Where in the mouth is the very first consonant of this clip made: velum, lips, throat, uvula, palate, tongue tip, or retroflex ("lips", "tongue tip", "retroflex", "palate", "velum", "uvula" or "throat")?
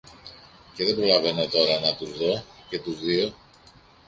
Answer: palate